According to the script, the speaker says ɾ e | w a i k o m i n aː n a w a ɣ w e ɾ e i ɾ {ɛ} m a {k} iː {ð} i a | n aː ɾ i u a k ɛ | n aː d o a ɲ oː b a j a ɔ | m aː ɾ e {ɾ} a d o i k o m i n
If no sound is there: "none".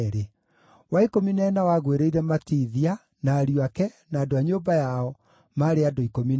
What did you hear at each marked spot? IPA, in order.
ɛ, t, ð, none

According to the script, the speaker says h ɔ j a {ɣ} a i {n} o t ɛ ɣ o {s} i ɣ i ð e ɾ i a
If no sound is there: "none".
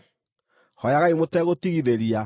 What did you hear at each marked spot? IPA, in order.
ɣ, m, t

